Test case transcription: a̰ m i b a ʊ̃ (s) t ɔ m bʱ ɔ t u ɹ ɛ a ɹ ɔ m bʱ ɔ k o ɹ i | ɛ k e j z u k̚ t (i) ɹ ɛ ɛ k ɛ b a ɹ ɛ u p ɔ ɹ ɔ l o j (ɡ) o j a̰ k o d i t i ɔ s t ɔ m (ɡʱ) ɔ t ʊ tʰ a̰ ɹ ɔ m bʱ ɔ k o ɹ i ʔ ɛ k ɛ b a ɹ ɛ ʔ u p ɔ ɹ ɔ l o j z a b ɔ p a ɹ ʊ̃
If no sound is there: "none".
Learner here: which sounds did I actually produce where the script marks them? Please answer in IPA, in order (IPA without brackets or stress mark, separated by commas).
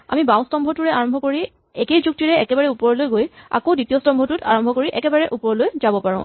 s, i, ɡ, bʱ